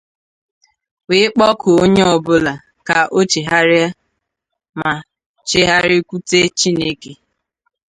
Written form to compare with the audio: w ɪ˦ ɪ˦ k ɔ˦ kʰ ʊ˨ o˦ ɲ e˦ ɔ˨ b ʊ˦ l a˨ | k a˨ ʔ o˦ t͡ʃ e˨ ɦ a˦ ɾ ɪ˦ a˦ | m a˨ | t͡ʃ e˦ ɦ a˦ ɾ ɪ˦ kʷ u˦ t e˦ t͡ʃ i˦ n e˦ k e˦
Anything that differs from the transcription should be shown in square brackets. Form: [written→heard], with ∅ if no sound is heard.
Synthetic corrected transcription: w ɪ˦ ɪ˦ [k→k͡p] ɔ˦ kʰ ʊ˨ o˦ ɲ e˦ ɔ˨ b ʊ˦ l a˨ | k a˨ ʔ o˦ t͡ʃ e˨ ɦ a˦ ɾ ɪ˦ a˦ | m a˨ | t͡ʃ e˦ ɦ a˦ ɾ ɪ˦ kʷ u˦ t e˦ t͡ʃ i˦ n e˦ k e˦